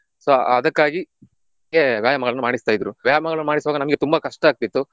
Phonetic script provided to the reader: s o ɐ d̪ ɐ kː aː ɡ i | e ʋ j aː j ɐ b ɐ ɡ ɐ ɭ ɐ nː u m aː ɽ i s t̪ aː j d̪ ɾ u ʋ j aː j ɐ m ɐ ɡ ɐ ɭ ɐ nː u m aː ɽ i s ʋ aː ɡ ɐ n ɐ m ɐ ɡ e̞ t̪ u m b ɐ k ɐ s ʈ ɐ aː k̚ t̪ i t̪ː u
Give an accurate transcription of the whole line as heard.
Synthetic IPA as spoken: s o ɐ d̪ ɐ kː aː ɡ i | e ʋ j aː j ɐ m ɐ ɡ ɐ ɭ ɐ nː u m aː ɽ i s t̪ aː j d̪ ɾ u ʋ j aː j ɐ m ɐ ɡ ɐ ɭ ɐ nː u m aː ɽ i s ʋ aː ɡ ɐ n ɐ m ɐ ɡ e̞ t̪ u m b ɐ k ɐ ʂ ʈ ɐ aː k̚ t̪ i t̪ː u